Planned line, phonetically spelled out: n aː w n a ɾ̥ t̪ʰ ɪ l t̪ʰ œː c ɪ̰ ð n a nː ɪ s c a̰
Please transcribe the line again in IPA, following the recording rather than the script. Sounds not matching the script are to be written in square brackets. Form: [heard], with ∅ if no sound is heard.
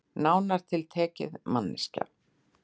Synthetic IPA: n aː w n a ɾ̥ t̪ʰ ɪ l t̪ʰ [ɛː] c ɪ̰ ð [m] a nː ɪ s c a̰